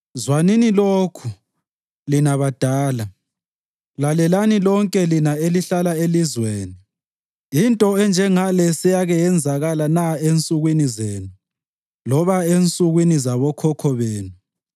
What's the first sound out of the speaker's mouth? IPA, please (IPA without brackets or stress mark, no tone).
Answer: z